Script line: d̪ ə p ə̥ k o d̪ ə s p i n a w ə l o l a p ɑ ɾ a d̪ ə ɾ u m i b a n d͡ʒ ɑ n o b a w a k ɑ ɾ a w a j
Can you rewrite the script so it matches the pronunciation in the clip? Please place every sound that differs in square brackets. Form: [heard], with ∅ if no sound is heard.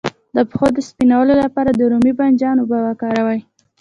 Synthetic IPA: d̪ ə p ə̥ [x] o d̪ ə s p i n a w ə l o l a p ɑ ɾ a d̪ ə ɾ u m i b a n d͡ʒ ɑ n o b a w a k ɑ ɾ a w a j